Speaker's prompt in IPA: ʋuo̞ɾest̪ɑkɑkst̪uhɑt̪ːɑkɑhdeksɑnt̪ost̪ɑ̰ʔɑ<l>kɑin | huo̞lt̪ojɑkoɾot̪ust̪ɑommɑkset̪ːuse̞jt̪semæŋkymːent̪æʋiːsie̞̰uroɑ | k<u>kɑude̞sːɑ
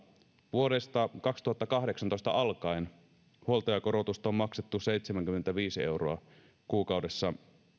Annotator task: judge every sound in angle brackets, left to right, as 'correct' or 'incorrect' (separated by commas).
correct, incorrect